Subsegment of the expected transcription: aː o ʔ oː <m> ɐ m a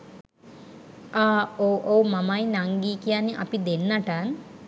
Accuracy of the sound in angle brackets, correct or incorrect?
correct